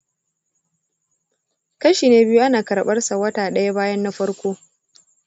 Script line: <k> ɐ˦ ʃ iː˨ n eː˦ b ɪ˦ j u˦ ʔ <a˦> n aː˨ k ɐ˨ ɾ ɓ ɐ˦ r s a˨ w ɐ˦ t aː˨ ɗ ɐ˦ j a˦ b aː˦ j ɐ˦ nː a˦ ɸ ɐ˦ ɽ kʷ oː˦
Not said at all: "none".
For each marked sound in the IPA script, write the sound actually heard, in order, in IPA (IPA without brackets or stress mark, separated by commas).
k, a˦